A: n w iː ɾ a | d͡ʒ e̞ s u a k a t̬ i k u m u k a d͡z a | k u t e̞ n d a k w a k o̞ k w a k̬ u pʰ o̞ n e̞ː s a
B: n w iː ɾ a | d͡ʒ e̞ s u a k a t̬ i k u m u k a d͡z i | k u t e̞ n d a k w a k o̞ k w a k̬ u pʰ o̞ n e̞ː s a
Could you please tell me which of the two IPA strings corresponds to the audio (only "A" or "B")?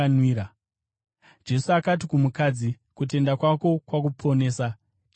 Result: B